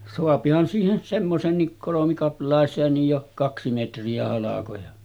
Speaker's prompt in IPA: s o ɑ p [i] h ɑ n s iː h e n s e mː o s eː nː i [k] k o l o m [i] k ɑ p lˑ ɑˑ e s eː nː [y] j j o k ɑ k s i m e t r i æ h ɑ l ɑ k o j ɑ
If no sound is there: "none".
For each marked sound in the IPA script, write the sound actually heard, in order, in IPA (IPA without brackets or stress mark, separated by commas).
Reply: i, k, i, i